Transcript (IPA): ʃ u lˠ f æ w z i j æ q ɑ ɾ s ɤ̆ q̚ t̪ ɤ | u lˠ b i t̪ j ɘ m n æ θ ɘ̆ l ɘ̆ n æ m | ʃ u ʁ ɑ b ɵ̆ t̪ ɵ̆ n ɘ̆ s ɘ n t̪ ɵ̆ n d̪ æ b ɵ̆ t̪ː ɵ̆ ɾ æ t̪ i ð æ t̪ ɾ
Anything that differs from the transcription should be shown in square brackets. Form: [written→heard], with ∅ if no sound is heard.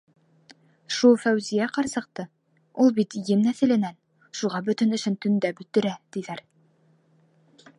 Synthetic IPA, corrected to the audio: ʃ u lˠ f æ w z i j æ q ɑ ɾ s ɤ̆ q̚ t̪ ɤ | u lˠ b i t̪ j ɘ m n æ θ ɘ̆ l ɘ̆ n æ [m→n] | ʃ u ʁ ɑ b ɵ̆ t̪ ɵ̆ n ɘ̆ [s→ʃ] ɘ n t̪ ɵ̆ n d̪ æ b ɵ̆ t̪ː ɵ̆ ɾ æ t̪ i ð æ [t̪→∅] ɾ